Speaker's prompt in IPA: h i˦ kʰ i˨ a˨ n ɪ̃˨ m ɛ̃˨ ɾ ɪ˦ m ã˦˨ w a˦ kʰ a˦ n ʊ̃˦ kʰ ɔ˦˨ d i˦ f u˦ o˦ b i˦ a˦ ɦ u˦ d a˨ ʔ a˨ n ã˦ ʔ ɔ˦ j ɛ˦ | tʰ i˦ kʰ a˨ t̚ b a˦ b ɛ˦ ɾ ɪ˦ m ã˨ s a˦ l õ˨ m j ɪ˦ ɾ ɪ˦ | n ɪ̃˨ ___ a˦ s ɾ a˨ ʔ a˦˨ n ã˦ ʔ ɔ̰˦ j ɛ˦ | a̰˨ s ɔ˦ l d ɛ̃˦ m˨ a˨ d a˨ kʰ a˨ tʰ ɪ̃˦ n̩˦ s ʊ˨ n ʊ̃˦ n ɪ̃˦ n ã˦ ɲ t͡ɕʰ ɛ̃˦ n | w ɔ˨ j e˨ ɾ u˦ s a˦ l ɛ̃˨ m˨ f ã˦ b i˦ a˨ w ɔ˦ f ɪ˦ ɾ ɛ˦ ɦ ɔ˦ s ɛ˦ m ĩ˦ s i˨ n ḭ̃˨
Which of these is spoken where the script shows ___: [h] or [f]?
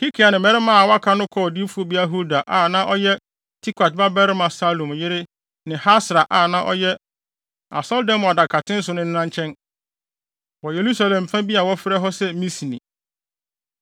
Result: h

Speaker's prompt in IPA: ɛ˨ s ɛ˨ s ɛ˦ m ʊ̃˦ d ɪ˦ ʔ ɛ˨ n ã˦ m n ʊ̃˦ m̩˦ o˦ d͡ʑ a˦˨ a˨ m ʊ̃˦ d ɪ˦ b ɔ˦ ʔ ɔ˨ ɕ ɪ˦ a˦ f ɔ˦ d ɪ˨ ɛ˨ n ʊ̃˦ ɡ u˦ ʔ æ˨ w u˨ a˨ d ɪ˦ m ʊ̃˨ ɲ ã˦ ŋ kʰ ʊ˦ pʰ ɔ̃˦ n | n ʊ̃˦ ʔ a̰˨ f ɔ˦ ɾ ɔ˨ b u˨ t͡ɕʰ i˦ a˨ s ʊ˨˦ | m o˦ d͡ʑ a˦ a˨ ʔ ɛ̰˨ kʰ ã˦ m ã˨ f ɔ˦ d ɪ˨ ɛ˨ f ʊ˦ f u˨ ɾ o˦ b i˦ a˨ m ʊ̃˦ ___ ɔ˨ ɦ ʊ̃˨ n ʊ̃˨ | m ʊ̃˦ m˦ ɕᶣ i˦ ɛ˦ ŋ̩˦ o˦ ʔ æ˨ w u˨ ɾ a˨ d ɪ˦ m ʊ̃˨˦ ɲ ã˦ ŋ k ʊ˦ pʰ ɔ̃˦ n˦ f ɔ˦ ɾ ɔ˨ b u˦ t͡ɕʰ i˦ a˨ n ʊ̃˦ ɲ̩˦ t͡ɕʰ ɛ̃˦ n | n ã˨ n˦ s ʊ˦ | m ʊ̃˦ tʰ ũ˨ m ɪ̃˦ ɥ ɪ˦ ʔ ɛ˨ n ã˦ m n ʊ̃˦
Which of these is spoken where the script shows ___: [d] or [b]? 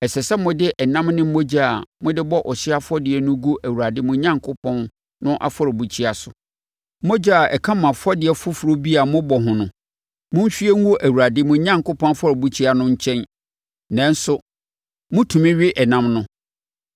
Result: b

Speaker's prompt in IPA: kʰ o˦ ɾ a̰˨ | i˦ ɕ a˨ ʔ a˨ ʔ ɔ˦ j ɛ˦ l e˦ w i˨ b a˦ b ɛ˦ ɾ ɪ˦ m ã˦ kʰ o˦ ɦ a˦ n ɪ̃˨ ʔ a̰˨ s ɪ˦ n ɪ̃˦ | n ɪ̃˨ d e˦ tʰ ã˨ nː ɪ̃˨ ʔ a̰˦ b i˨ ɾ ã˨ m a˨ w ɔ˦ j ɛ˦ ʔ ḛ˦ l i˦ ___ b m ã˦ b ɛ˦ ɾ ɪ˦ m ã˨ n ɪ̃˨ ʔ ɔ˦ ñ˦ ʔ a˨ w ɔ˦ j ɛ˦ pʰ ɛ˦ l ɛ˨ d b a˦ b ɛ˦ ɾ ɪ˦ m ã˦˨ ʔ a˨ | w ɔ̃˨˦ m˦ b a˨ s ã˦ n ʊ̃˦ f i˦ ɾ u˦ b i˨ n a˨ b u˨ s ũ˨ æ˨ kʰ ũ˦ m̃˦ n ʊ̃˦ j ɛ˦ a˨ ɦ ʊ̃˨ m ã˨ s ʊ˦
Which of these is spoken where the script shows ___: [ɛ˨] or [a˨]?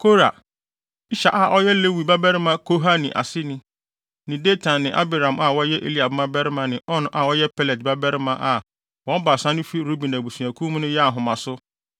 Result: a˨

